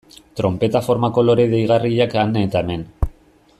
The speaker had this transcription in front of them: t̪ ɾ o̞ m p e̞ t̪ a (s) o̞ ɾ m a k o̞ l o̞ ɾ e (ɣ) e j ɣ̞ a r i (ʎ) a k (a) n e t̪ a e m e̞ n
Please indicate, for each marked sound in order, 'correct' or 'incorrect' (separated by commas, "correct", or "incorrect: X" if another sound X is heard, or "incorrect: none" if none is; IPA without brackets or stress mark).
incorrect: f, incorrect: ð, correct, correct